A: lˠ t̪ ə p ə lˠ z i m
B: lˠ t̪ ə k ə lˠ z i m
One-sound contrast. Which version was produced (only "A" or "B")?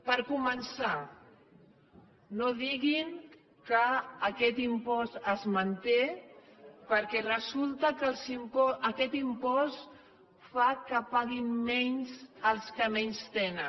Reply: B